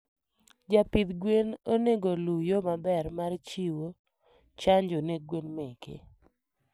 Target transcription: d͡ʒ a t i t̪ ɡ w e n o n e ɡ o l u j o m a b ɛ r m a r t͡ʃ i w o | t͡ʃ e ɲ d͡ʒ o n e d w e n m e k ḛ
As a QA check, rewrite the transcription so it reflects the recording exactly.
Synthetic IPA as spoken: d͡ʒ a p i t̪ ɡ w e n o n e ɡ o l u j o m a b ɛ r m a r t͡ʃ i w o | t͡ʃ a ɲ d͡ʒ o n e ɡ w e n m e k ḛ